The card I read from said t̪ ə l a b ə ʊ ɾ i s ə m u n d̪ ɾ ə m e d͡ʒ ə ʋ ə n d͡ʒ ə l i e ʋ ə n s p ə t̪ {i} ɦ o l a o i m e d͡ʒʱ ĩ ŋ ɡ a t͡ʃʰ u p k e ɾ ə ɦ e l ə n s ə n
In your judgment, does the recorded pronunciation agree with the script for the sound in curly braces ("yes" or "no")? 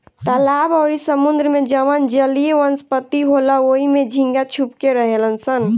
yes